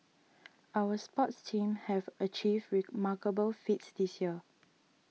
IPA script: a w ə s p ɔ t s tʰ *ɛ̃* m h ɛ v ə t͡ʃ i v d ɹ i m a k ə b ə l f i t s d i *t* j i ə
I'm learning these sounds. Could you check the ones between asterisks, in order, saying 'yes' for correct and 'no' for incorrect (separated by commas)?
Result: no, no